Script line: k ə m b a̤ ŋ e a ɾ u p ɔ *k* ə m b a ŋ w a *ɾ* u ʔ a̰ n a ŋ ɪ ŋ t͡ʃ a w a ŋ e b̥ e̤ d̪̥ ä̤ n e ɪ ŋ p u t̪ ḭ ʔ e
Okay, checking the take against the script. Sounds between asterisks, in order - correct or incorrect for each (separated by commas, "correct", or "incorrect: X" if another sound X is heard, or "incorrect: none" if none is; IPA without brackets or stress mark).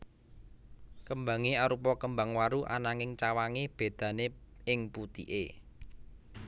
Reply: correct, correct